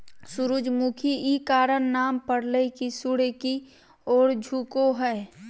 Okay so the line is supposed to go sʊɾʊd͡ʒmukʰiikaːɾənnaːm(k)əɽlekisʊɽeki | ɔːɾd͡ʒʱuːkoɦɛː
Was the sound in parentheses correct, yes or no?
no